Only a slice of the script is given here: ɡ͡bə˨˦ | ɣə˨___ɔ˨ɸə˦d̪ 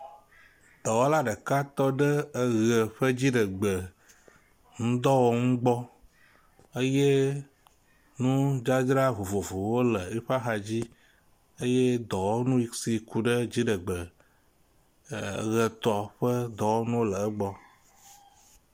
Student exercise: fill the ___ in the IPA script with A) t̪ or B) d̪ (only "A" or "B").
A